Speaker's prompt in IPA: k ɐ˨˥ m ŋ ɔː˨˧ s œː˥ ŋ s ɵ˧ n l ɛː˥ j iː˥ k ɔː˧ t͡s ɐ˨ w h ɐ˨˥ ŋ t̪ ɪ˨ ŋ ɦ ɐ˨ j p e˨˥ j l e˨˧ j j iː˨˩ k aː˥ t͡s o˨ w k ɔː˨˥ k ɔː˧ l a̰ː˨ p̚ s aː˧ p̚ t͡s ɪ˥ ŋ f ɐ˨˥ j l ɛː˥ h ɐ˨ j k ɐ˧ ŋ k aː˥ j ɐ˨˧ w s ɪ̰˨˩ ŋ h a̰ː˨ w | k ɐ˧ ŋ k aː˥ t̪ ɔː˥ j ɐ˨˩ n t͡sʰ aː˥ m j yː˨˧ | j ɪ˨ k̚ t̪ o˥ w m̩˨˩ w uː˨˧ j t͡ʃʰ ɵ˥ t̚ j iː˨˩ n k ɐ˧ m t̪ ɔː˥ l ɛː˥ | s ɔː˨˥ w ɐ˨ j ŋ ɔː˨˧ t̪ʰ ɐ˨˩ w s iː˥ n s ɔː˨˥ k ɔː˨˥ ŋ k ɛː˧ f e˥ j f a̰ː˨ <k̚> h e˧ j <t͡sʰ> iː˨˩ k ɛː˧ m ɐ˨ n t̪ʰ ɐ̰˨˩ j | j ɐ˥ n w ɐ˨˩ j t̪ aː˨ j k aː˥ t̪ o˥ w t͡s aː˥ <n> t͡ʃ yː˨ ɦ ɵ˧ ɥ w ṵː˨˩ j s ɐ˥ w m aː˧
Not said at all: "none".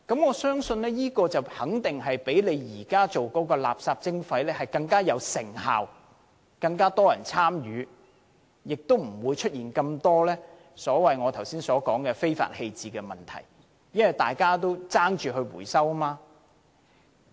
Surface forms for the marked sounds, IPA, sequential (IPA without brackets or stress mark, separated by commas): t̚, t͡s, ŋ